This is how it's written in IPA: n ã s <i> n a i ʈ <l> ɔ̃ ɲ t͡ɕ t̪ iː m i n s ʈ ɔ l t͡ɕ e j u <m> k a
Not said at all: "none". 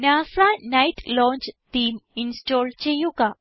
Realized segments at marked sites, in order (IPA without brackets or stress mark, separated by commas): a, l, none